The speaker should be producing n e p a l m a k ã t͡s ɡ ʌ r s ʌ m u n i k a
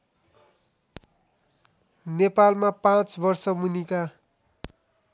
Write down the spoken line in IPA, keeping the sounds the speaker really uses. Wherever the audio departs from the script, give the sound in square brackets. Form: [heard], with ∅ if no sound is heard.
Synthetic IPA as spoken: n e p a l m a [p] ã t͡s [b] ʌ r s ʌ m u n i k a